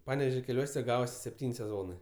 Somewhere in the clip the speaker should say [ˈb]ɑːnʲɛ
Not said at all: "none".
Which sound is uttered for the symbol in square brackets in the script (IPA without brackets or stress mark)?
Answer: p